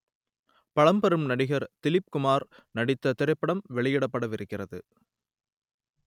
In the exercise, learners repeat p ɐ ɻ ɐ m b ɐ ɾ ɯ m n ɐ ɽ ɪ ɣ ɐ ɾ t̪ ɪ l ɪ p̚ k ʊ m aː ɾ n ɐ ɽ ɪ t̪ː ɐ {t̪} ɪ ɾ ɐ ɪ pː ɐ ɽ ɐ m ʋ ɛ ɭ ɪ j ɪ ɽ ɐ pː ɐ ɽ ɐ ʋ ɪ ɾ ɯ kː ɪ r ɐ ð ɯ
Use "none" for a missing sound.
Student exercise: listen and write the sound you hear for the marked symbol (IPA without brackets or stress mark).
t̪